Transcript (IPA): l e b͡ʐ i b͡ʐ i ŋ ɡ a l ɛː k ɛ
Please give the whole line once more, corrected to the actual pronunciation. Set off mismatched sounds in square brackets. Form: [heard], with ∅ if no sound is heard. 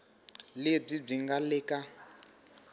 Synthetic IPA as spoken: l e b͡ʐ i b͡ʐ i ŋ ɡ a l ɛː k [a]